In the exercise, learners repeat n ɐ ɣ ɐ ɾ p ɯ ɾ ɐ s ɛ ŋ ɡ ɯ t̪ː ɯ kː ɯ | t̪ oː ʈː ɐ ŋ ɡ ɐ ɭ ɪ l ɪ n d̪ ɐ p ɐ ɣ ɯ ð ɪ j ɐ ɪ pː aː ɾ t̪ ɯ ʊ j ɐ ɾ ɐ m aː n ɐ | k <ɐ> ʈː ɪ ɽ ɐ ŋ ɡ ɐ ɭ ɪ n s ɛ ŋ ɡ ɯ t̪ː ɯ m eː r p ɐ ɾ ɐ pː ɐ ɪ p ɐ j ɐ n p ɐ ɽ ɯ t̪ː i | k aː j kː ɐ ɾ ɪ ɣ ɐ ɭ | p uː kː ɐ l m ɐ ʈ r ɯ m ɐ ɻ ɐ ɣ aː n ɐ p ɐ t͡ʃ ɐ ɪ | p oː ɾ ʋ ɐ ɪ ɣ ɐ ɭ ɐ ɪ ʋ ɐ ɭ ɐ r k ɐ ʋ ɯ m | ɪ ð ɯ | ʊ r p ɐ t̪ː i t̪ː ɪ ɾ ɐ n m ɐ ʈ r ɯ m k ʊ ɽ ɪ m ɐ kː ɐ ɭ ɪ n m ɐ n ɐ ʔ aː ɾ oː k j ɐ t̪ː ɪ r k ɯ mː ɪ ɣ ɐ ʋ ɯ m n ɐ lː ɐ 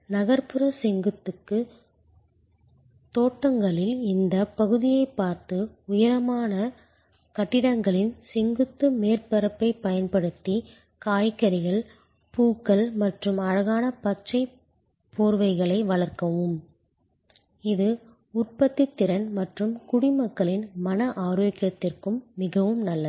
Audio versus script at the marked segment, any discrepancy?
no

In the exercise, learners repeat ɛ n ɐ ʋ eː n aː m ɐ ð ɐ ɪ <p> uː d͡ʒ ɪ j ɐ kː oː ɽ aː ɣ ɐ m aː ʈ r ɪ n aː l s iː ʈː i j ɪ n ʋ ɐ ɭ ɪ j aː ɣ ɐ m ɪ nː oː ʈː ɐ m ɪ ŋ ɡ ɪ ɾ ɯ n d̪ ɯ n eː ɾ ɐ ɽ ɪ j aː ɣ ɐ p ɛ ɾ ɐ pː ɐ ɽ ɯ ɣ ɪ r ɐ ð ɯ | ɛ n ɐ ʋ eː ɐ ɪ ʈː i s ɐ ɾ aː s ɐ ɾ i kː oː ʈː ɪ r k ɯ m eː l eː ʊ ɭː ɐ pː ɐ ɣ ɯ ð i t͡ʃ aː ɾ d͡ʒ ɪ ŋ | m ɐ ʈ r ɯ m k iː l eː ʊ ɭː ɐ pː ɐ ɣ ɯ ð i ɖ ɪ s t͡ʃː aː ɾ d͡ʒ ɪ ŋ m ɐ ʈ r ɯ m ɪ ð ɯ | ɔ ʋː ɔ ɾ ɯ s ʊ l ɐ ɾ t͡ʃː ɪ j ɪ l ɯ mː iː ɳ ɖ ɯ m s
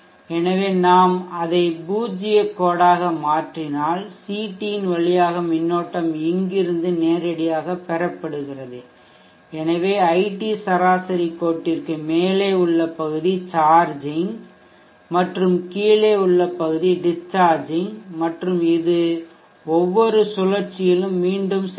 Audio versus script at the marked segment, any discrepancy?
yes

